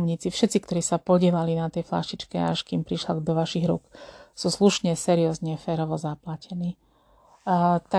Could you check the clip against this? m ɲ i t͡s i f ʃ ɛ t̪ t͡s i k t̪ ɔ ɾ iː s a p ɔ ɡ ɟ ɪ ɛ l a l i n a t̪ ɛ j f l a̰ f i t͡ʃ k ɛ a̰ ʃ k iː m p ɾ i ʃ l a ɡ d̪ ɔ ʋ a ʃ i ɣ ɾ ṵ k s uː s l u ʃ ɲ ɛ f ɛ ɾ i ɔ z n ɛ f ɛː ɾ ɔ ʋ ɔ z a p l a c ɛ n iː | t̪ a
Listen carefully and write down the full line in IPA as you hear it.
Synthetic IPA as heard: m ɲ i t͡s i f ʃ ɛ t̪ t͡s i k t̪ ɔ ɾ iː s a p ɔ ɟ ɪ ɛ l a l i n a t̪ ɛ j f l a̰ ʃ i t͡ʃ k ɛ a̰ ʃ k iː m p ɾ i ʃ l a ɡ d̪ ɔ ʋ a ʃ i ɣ ɾ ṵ k s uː s l u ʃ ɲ ɛ s ɛ ɾ i ɔ z ɲ ɛ f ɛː ɾ ɔ ʋ ɔ z a p l a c ɛ n iː | t̪ a